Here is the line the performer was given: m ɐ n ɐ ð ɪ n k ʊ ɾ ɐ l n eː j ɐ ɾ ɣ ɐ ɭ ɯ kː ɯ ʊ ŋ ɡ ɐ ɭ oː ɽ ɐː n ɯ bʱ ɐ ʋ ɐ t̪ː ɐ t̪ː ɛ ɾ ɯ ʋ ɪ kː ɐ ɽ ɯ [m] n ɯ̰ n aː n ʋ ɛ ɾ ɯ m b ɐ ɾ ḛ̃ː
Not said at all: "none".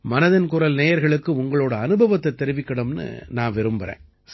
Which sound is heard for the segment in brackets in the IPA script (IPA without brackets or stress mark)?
m